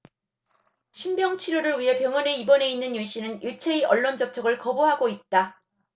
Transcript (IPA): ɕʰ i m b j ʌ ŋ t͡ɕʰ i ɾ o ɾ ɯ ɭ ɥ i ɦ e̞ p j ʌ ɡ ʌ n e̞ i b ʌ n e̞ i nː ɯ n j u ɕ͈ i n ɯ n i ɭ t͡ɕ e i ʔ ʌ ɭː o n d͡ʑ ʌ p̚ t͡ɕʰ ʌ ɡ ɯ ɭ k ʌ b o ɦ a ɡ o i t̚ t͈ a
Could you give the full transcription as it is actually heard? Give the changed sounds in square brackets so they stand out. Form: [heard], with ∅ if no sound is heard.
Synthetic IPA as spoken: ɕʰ i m b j ʌ ŋ t͡ɕʰ i ɾ o ɾ ɯ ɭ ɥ i ɦ e̞ p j ʌ [ŋ] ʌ n e̞ i b ʌ n e̞ i nː ɯ n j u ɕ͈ i n ɯ n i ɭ [t͡ɕʰ] e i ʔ ʌ ɭː o n d͡ʑ ʌ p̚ t͡ɕʰ ʌ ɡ ɯ ɭ k ʌ b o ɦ a ɡ o i t̚ t͈ a